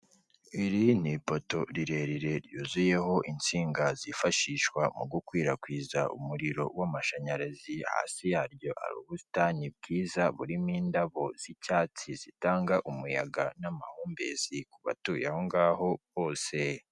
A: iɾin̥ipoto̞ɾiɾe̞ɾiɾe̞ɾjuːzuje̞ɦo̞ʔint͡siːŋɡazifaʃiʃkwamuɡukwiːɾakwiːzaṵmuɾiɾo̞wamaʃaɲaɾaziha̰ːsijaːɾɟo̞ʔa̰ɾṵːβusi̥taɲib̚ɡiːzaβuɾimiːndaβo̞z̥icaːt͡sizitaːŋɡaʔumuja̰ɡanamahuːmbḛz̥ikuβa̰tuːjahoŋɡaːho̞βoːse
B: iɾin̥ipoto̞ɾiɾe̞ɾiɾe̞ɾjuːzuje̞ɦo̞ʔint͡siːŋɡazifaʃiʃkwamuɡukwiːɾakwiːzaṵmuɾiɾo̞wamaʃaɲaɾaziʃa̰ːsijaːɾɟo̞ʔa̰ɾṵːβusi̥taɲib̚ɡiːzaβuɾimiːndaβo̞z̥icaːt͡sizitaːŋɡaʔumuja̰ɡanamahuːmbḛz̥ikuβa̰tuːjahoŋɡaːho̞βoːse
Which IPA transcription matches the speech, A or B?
A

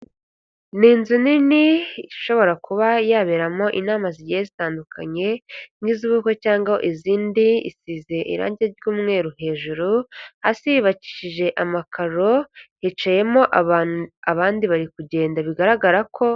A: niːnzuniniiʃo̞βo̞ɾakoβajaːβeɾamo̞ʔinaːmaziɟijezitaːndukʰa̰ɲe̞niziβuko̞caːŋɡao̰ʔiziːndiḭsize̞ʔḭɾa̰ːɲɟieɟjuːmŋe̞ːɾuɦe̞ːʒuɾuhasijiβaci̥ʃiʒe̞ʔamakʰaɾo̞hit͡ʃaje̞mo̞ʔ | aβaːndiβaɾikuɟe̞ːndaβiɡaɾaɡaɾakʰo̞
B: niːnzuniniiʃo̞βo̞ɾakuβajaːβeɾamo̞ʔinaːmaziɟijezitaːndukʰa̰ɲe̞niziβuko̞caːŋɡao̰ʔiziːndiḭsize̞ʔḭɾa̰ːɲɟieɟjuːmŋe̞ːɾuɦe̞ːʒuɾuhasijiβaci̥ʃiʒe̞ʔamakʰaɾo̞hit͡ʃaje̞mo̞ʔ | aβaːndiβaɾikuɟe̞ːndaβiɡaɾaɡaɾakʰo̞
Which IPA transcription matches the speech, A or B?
B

